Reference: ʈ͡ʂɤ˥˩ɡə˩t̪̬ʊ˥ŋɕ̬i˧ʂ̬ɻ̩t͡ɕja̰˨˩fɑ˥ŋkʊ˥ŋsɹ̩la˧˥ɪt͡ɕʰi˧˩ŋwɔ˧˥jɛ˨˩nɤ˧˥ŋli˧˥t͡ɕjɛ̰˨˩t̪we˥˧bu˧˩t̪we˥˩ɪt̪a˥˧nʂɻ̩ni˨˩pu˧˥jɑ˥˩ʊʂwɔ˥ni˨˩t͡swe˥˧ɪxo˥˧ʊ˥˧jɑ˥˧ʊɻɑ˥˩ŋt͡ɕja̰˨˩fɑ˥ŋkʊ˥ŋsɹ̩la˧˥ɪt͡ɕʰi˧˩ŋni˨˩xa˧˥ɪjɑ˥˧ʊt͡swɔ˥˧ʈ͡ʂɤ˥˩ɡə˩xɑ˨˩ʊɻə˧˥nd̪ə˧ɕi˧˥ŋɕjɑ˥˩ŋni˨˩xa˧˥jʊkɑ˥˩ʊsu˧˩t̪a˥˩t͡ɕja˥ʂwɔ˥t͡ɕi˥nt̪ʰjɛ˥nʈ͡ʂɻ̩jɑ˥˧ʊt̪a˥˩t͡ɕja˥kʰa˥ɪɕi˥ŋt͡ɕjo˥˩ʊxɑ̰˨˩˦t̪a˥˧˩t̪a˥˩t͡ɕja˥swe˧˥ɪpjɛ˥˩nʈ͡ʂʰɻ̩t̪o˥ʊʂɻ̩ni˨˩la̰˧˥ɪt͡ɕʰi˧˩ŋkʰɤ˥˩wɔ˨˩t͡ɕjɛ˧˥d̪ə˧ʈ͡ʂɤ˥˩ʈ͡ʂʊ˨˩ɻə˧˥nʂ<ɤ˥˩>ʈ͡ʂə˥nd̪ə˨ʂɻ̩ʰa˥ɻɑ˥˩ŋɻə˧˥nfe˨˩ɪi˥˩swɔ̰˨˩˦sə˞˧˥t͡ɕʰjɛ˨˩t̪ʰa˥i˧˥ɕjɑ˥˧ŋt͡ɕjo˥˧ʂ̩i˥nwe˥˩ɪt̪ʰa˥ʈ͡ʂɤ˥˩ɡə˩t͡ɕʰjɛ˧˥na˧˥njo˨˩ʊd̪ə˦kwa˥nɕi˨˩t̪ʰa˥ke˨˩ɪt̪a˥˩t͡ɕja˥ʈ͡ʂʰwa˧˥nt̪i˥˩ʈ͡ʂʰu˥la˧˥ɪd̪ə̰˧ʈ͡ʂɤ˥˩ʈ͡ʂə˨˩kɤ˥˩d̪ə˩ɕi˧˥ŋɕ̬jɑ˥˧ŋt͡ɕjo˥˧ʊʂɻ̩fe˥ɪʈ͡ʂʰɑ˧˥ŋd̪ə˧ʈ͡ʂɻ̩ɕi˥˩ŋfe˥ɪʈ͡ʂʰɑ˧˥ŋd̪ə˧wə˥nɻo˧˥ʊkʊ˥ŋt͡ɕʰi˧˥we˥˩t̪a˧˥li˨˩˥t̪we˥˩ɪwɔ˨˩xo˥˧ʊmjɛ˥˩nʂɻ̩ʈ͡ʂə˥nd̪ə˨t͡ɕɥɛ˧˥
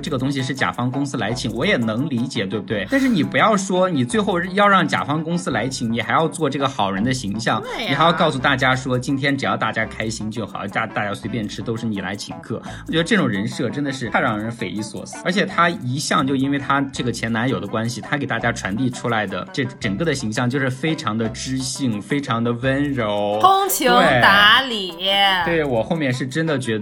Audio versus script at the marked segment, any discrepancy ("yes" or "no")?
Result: no